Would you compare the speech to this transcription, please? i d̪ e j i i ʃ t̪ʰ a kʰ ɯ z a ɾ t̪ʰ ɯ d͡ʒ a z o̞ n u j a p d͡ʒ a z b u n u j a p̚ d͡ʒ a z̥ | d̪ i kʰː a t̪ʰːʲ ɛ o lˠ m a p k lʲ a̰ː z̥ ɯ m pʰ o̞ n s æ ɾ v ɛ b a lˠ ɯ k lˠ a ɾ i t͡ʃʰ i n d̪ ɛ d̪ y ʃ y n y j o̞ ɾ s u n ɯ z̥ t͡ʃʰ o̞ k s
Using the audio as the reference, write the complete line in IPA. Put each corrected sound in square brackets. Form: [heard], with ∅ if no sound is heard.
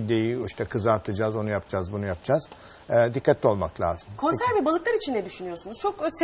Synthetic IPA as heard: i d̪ e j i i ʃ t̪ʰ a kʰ ɯ z a ɾ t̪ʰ ɯ d͡ʒ a z o̞ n u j a p d͡ʒ a z b u n u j a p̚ d͡ʒ a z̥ | d̪ i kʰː a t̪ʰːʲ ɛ o lˠ m a [∅] k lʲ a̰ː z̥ ɯ m [kʰ] o̞ n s æ ɾ v ɛ b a lˠ ɯ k lˠ a ɾ i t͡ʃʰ i n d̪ ɛ d̪ y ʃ y n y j o̞ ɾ s u n [u] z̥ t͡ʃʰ o̞ k s

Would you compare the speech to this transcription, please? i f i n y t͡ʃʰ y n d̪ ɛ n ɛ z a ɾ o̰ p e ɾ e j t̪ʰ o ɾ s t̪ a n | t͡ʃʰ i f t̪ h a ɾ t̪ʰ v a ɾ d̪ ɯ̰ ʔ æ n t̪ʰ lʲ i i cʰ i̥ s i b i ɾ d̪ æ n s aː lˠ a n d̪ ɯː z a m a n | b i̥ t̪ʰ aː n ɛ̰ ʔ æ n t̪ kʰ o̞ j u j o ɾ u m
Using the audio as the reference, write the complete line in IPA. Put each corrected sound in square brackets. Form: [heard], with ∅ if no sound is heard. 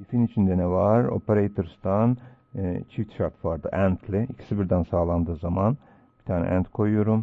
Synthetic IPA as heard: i f i n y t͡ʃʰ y n d̪ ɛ n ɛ [v] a ɾ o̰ p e ɾ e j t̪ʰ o ɾ s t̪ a n | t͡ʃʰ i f t̪ [ʃ] a ɾ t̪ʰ v a ɾ d̪ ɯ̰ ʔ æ n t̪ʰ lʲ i i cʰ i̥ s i b i ɾ d̪ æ n s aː lˠ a n d̪ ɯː z a m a n | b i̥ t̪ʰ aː n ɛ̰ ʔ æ n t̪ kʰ o̞ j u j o ɾ u m

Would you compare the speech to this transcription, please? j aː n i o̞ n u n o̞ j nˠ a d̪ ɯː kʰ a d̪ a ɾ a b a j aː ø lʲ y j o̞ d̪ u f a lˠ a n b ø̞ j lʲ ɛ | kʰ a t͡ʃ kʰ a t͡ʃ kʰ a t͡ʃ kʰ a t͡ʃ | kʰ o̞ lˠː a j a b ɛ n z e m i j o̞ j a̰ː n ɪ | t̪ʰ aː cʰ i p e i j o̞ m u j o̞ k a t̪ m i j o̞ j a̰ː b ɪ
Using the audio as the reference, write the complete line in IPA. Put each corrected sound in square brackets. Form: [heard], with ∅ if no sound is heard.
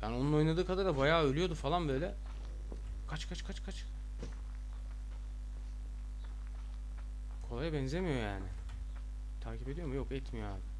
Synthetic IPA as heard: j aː n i o̞ n u n o̞ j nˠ a d̪ ɯː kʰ a d̪ a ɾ a b a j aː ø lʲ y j o̞ d̪ u f a lˠ a n b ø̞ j lʲ ɛ | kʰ a t͡ʃ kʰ a t͡ʃ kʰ a t͡ʃ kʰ a t͡ʃ | kʰ o̞ [lˠ] a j a b ɛ n z e m i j o̞ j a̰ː n ɪ | t̪ʰ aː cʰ i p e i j o̞ m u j o̞ k [ɛ] t̪ m i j o̞ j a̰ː b ɪ

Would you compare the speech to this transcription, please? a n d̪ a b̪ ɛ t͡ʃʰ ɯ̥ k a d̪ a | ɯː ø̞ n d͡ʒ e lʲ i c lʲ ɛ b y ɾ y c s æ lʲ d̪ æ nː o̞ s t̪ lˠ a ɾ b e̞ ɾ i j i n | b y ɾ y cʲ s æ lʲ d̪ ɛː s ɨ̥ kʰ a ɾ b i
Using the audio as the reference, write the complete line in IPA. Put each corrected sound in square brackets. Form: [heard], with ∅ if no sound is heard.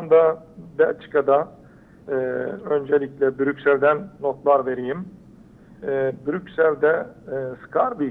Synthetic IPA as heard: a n d̪ a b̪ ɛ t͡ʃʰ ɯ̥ k a d̪ a | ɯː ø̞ n d͡ʒ e lʲ i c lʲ ɛ b y ɾ y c s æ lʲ d̪ æ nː o̞ [∅] t̪ lˠ a ɾ [v] e̞ ɾ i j i [m] | b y ɾ y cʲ s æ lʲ d̪ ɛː s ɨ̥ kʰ a ɾ b i

